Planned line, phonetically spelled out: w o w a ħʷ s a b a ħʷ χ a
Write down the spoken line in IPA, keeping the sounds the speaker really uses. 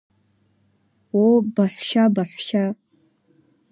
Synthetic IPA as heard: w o b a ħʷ ʃ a b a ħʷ ʃ a

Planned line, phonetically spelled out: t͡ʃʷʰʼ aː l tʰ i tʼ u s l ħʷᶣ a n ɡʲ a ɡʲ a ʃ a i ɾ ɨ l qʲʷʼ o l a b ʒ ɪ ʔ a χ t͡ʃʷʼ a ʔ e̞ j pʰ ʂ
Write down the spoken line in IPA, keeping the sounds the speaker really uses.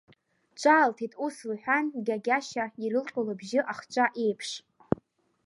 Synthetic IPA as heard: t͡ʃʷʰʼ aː l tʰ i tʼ u s l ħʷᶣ a n ɡʲ a ɡʲ a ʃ a i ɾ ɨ l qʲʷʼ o l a b ʒ ɪ ʔ a χ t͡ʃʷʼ a ʔ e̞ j pʰ ʂ

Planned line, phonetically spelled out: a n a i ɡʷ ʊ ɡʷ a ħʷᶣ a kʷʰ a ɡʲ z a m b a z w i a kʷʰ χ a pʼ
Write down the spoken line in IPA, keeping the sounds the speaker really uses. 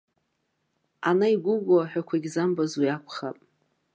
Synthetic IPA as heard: a n a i ɡʷ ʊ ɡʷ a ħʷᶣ a kʷʰ a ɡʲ z a m b a z w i a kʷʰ χ a pʼ

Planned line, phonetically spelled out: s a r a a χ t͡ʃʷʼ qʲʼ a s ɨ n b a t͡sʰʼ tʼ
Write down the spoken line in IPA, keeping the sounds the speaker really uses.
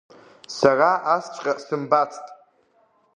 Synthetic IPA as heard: s a r a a s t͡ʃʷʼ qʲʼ a s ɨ m b a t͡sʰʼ tʼ

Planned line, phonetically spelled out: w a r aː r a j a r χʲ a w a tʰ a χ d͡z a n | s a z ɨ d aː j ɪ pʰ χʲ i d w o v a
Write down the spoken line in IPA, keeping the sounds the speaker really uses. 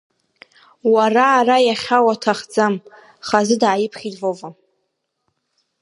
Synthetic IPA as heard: w a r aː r a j a χʲ a w a tʰ a χ d͡z a m | χ a z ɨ d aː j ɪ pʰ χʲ i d v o v a

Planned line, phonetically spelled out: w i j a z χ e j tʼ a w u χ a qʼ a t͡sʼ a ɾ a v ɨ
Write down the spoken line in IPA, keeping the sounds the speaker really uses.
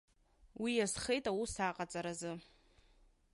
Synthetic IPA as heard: w i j a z χ e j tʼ a w u s a qʼ a t͡sʼ a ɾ a z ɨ

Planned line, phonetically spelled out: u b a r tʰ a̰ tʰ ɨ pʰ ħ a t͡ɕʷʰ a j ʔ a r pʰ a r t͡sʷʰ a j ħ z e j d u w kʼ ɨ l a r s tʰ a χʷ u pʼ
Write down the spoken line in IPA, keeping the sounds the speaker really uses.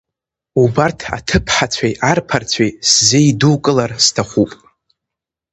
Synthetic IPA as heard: u b a r tʰ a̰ tʰ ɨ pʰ ħ a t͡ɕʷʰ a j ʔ a r pʰ a r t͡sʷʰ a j s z e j d u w kʼ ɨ l a r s tʰ a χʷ u pʼ

